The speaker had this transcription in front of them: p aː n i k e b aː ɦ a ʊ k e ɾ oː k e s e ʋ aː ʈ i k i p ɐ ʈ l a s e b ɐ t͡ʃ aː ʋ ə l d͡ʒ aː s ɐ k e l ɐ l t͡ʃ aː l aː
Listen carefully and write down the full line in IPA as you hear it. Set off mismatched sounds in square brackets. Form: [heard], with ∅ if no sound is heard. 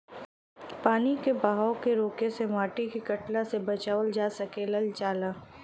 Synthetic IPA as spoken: p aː n i k e b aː ɦ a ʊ k e ɾ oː k e s e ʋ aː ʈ i k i [k] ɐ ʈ l a s e b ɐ t͡ʃ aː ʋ ə l d͡ʒ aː s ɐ k e l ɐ l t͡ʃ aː l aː